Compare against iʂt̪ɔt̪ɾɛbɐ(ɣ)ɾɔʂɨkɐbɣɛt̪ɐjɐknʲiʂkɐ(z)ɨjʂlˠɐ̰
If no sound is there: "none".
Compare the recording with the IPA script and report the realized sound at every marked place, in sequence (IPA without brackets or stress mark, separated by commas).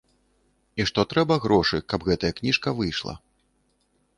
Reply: ɣ, v